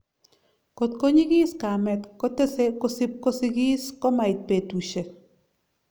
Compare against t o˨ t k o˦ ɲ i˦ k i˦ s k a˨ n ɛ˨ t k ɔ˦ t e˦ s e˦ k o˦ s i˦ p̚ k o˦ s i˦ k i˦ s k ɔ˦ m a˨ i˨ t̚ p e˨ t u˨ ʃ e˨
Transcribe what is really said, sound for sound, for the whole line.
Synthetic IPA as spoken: k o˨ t k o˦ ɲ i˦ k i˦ s k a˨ m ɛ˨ t k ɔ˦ t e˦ s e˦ k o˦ s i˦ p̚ k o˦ s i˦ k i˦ s k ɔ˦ m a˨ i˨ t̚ p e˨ t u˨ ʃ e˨

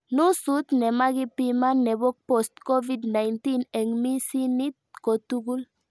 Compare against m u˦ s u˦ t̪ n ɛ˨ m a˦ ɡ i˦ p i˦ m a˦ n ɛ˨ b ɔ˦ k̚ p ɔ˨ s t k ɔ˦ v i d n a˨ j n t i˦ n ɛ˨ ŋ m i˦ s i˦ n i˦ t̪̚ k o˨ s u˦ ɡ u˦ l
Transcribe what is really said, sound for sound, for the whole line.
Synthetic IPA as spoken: n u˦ s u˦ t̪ n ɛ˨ m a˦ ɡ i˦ p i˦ m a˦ n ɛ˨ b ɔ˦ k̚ p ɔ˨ s t k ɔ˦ v i d n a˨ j n t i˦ n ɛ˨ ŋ m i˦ s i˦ n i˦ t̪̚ k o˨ t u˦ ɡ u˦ l

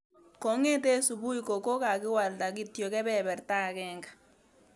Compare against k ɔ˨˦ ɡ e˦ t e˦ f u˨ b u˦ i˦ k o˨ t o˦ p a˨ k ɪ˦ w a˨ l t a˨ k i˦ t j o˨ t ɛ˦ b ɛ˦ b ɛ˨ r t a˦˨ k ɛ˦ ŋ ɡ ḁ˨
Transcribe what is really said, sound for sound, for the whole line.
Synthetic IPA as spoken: k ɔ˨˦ ŋ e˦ t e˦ s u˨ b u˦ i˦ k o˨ k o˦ k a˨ k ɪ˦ w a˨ l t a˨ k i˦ t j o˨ k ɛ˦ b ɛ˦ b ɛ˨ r t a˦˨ k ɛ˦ ŋ ɡ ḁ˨

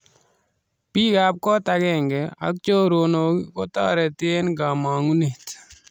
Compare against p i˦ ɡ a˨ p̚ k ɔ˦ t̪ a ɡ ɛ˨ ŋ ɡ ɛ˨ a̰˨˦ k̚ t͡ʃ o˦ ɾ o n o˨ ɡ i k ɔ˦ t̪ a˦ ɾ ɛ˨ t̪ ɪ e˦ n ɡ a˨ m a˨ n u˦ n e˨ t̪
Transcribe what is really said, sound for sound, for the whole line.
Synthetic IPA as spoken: p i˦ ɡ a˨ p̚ k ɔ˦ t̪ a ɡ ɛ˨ ŋ ɡ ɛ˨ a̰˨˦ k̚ t͡ʃ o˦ ɾ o n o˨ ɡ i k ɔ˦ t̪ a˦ ɾ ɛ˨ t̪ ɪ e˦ n ɡ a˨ m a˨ ŋ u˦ n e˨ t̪

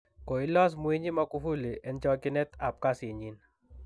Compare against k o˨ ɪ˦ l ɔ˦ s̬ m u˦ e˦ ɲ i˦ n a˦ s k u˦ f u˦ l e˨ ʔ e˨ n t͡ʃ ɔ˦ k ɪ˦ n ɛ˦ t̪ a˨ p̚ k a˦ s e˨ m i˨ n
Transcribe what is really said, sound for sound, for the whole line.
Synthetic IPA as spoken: k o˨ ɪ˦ l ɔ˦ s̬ m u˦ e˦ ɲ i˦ m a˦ k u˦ f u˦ l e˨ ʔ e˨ n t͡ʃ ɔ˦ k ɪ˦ n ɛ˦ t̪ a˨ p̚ k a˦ s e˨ ɲ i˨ n

